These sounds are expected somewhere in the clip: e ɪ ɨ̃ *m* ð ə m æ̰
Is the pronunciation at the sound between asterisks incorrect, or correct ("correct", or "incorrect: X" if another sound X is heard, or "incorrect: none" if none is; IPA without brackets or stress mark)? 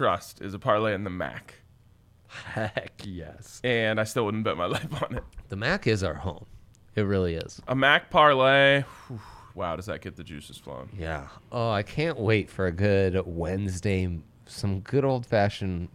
incorrect: n